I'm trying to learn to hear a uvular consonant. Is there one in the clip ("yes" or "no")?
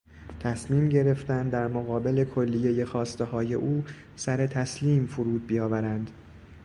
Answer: no